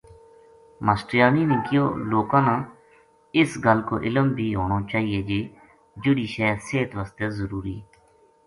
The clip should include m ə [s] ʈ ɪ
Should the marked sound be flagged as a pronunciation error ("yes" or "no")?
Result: no